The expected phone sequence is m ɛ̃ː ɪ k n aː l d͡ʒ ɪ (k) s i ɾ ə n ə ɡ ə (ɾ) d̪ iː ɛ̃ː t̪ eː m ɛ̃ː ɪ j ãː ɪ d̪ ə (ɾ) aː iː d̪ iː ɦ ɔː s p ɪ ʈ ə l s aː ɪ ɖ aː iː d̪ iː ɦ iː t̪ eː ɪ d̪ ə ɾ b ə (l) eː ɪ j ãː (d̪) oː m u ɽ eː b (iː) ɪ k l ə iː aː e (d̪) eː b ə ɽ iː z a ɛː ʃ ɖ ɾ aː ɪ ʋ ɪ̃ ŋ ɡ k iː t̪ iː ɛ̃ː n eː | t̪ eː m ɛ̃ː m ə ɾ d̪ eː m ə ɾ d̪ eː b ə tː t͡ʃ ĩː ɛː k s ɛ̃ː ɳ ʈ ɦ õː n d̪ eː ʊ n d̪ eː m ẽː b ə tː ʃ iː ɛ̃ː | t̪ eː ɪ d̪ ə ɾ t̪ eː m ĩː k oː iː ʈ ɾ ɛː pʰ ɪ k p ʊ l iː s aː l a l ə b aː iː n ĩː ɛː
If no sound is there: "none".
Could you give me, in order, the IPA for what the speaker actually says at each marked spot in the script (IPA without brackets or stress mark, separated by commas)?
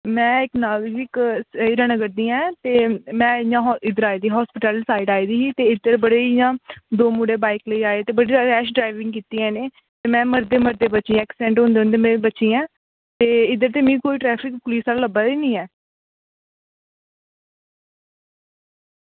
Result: k, ɾ, ɾ, ɽ, d̪, aː, t̪